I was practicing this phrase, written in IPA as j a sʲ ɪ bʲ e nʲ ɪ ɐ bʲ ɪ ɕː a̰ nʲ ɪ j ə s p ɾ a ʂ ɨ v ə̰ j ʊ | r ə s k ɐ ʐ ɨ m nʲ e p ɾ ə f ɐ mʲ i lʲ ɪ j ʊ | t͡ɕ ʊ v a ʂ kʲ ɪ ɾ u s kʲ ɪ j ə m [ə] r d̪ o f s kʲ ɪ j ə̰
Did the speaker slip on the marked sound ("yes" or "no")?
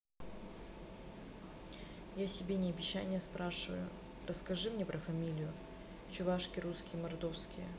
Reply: yes